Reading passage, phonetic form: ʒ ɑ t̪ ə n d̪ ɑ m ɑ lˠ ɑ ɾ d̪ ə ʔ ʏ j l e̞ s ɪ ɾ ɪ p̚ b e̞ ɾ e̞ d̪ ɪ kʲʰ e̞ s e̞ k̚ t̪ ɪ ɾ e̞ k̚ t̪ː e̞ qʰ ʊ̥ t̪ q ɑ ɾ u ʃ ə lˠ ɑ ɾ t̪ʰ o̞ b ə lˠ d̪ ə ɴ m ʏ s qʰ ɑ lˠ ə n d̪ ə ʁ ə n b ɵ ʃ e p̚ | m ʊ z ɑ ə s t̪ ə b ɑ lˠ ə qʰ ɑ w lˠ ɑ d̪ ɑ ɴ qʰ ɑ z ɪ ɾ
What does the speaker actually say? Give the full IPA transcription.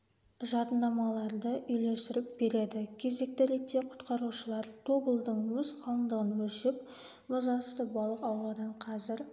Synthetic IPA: ʒ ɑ t̪ ə n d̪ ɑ m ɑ lˠ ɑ ɾ d̪ ə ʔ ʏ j l e̞ s ɪ ɾ ɪ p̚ b e̞ ɾ e̞ d̪ ɪ kʲʰ e̞ z e̞ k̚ t̪ ɪ ɾ e̞ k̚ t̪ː e̞ qʰ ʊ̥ t̪ q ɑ ɾ u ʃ ə lˠ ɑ ɾ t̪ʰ o̞ b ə lˠ d̪ ə ɴ m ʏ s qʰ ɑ lˠ ə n d̪ ə ʁ ə n w ɵ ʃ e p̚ | m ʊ z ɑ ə s t̪ ə b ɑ lˠ ə q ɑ w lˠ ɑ d̪ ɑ ɴ qʰ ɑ z ɪ ɾ